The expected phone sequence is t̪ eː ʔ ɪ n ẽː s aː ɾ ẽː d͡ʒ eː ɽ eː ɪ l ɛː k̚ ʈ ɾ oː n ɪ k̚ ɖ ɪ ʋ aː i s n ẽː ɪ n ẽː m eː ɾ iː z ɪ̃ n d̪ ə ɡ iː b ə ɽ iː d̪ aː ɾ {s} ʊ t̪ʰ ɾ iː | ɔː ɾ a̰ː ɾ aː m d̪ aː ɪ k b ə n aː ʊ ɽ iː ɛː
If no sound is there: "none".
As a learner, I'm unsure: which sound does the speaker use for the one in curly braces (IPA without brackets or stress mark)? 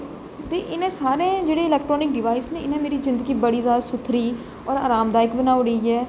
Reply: s